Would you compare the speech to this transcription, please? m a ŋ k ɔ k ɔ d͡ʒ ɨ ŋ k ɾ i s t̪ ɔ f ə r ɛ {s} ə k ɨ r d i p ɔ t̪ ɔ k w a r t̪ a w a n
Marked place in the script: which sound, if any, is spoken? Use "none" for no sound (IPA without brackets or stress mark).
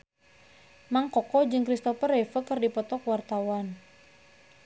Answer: f